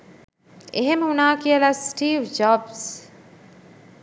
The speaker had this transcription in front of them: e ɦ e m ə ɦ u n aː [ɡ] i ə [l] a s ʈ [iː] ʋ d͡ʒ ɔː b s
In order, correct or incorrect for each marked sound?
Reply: incorrect: k, correct, correct

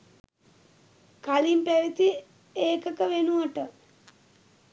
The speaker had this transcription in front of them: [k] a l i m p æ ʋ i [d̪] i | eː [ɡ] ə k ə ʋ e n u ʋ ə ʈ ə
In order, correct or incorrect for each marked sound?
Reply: correct, incorrect: t̪, incorrect: k

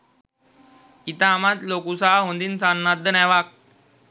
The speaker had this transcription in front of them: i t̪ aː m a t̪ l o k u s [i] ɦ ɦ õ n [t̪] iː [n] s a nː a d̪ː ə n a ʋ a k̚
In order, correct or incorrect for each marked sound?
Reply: incorrect: a, incorrect: d̪, correct

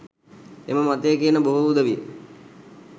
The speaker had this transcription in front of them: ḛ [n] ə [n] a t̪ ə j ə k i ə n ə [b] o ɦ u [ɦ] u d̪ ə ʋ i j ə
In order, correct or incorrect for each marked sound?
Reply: incorrect: m, incorrect: m, correct, incorrect: none

